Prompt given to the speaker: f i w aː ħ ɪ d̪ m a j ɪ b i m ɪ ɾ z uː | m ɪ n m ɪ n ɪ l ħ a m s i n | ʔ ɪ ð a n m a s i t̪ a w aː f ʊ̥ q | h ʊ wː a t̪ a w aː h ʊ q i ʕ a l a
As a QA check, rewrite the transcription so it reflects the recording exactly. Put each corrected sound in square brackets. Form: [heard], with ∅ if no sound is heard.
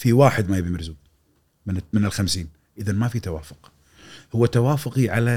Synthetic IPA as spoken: f i w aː ħ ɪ d̪ m a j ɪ b i m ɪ ɾ z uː | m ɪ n m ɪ n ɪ l [x] a m s [iː] n | ʔ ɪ ð a n m a [f] i t̪ a w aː f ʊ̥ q | h ʊ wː a t̪ a w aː [f] ʊ q i ʕ a l a